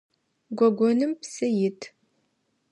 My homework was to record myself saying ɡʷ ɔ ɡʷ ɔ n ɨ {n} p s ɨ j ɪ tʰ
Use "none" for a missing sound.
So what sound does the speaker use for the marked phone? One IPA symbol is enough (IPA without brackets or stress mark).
m